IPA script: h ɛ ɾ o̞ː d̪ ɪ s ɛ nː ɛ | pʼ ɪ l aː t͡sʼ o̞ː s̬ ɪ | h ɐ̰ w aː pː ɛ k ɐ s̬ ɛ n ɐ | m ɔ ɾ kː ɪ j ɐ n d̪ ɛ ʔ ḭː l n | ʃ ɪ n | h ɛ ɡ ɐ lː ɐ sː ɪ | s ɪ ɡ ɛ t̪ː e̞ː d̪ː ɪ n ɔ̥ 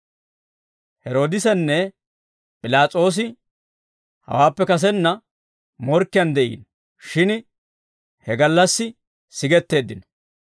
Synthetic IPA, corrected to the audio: h ɛ ɾ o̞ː d̪ ɪ s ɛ nː ɛ | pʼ ɪ l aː t͡sʼ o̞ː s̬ ɪ | h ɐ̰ w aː pː ɛ k ɐ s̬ ɛ nː ɐ | m ɔ ɾ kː ɪ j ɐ n d̪ ɛ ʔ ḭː n | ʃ ɪ n | h ɛ ɡ ɐ lː ɐ sː ɪ | s ɪ ɡ ɛ t̪ː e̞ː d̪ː ɪ n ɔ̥